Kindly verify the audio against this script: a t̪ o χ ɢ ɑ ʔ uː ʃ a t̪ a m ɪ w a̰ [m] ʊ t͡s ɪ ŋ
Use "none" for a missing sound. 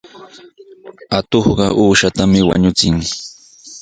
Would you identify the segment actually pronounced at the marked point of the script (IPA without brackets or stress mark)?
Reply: ɲ